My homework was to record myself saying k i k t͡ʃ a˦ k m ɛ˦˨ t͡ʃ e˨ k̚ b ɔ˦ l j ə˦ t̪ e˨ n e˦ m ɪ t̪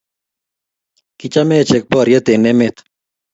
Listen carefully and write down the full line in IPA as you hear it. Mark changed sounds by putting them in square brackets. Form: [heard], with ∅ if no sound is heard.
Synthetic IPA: k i [∅] t͡ʃ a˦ [∅] m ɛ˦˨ t͡ʃ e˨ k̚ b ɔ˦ [ɾ] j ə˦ t̪ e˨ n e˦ m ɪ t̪